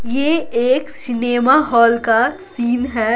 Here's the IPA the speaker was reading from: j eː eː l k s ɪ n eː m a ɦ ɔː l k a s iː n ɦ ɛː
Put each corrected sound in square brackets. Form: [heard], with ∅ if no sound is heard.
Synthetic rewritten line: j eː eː [∅] k s ɪ n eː m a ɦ ɔː l k a s iː n ɦ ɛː